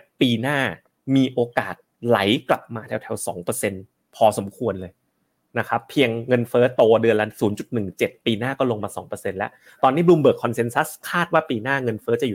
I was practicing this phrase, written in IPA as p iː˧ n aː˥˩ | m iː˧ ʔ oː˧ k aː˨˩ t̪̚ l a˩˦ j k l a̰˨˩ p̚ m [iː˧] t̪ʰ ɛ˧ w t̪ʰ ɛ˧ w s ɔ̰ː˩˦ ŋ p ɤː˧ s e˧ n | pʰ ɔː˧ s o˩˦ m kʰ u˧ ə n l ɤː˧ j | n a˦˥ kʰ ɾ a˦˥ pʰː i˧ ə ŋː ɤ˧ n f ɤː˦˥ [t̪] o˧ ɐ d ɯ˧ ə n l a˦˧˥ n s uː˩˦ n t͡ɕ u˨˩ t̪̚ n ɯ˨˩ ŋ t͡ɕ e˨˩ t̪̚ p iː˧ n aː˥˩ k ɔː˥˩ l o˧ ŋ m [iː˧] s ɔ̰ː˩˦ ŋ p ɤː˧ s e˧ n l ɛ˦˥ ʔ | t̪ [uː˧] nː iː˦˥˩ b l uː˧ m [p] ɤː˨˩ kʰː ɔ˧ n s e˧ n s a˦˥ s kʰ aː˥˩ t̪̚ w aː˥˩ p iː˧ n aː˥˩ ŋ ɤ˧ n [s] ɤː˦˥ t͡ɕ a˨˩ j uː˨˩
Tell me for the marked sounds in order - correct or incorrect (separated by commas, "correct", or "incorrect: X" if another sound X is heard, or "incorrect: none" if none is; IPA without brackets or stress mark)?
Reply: incorrect: aː˧, correct, incorrect: aː˧, incorrect: ɔː˧, incorrect: b, incorrect: f